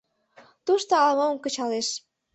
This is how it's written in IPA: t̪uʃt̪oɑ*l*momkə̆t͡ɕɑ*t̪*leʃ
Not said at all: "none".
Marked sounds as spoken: l, none

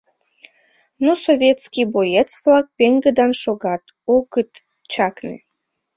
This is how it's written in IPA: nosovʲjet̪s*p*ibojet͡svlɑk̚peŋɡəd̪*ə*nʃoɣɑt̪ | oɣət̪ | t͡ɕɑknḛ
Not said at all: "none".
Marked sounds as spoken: k, ɑ

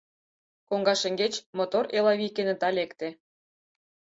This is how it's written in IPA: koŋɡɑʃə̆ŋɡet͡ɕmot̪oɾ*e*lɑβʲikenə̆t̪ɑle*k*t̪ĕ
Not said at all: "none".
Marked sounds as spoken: e, k

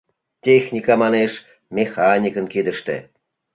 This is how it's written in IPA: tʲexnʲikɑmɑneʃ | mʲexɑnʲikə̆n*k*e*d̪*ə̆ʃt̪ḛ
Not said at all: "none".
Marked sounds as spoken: k, d̪

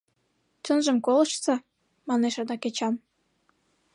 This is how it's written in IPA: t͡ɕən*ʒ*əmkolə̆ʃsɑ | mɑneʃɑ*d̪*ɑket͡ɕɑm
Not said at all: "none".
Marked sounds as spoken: ʒ, d̪

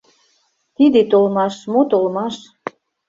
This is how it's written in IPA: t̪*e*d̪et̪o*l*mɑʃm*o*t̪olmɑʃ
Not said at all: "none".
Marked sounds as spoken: i, l, o

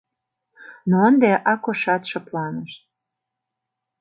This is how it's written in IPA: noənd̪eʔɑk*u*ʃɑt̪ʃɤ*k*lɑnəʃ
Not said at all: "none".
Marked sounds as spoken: o, p

